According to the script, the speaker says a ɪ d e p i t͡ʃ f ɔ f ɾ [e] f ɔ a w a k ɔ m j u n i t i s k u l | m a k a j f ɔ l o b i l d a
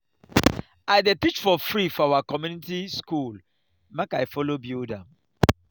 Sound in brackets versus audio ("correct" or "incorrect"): incorrect